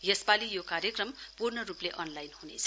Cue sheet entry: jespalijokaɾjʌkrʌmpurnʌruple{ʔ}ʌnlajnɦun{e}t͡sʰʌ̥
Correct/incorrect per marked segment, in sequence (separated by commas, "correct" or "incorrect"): correct, correct